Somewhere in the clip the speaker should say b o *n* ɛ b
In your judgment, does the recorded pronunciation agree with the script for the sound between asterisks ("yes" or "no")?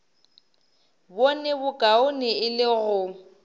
yes